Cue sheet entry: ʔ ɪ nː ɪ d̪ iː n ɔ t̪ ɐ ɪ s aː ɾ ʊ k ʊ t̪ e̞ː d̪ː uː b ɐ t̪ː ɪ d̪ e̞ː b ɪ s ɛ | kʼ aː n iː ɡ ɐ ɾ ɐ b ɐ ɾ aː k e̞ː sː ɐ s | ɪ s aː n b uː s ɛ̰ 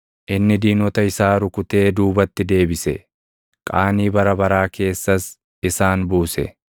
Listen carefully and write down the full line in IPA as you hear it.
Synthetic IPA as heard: ʔ ɪ nː ɪ d̪ iː n ɔ t̪ ɐ ɪ s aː ɾ ʊ k ʊ t̪ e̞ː d̪ uː b ɐ t̪ː ɪ d̪ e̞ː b ɪ s ɛ | kʼ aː n iː b ɐ ɾ ɐ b ɐ ɾ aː k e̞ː sː ɐ s | ɪ s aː n b uː s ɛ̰